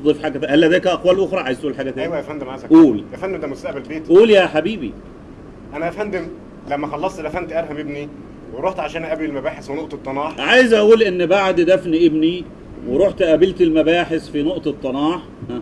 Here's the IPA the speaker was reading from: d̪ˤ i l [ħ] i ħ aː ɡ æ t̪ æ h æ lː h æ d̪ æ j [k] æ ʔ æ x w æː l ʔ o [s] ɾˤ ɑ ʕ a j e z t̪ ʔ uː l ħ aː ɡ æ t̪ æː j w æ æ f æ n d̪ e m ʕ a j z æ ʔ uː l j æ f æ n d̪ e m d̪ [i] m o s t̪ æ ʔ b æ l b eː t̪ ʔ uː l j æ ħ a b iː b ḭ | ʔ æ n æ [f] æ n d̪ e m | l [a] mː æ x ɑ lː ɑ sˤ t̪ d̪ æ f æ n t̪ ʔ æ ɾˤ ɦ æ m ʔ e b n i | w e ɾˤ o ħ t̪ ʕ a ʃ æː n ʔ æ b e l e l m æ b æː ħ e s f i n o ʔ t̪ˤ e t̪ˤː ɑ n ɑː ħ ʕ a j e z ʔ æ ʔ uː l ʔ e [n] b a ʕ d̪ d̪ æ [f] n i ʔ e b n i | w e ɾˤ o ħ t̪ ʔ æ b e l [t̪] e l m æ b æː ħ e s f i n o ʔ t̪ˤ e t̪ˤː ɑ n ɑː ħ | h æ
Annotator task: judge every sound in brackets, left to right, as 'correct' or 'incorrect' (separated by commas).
incorrect, correct, incorrect, incorrect, correct, incorrect, incorrect, correct, correct